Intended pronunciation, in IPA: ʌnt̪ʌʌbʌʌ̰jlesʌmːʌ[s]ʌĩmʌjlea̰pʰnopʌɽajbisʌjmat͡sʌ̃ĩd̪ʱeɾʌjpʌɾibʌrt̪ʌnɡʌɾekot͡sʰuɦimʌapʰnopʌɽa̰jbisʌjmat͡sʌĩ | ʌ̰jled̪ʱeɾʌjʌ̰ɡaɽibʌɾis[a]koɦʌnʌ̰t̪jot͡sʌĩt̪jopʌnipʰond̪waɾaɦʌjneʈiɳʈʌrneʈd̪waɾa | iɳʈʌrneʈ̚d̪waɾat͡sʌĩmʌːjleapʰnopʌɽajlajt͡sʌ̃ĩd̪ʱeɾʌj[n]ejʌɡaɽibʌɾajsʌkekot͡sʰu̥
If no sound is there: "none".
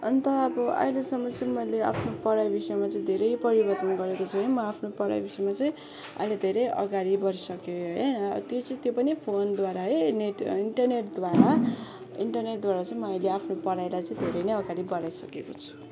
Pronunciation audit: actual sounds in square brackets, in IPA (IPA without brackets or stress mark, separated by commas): t͡s, ʌ, n